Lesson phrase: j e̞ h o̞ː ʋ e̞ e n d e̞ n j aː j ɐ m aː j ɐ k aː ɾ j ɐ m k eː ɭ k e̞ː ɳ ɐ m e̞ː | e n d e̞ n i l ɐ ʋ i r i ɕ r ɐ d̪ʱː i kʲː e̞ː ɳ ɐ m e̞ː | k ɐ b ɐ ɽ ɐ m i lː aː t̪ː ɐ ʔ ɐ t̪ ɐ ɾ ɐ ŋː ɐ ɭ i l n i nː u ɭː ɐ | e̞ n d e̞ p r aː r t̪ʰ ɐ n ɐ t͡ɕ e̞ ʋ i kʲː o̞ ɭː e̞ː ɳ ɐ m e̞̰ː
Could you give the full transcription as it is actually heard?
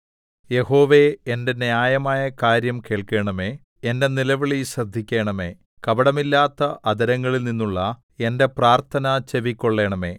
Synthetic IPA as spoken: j e̞ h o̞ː ʋ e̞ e n d e̞ n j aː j ɐ m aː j ɐ k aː ɾ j ɐ m k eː ɭ k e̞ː ɳ ɐ m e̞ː | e n d e̞ n i l ɐ ʋ i ɭ i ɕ r ɐ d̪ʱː i kʲː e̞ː ɳ ɐ m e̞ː | k ɐ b ɐ ɽ ɐ m i lː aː t̪ː ɐ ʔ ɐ d̪ ɐ ɾ ɐ ŋː ɐ ɭ i l n i nː u ɭː ɐ | e̞ n d e̞ p r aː r t̪ʰ ɐ n ɐ t͡ɕ e̞ ʋ i kʲː o̞ ɭː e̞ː ɳ ɐ m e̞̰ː